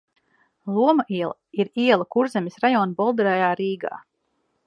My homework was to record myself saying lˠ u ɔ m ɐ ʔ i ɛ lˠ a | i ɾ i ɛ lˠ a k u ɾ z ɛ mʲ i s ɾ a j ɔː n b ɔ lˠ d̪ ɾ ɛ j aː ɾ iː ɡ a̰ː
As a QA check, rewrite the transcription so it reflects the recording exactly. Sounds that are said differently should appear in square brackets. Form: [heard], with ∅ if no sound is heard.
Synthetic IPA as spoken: lˠ u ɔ m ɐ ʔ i ɛ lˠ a | i ɾ i ɛ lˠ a k u ɾ z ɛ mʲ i s ɾ a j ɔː n b ɔ lˠ d̪ ɾ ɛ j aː ɾ iː ɡ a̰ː